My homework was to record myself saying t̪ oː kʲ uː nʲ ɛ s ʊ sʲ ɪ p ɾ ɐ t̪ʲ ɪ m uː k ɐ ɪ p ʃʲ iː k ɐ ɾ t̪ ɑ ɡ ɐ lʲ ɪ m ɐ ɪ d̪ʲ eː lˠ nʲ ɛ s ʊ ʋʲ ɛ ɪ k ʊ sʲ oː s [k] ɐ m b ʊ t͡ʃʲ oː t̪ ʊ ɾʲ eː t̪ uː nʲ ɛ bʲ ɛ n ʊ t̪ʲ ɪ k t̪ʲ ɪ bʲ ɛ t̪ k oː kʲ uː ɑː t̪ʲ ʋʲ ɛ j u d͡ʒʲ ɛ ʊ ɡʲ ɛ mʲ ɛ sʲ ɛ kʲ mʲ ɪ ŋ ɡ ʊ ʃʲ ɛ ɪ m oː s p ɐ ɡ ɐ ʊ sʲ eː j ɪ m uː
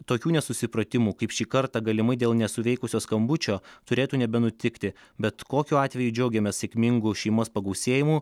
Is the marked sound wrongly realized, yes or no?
no